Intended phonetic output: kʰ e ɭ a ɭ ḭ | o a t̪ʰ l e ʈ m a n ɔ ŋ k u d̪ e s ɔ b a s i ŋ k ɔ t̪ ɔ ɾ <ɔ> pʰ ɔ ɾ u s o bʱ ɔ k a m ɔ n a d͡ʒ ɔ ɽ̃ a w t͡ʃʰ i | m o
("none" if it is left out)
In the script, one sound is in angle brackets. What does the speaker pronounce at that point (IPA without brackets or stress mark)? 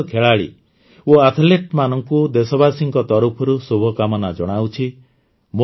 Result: u